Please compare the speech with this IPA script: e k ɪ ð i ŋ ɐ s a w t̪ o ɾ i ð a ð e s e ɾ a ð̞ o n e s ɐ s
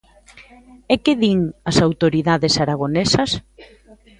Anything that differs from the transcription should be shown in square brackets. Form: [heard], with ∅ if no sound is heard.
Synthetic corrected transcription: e k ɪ ð i ŋ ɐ s a w t̪ o ɾ i ð a ð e s [a] ɾ a [ɣ̞] o n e s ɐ s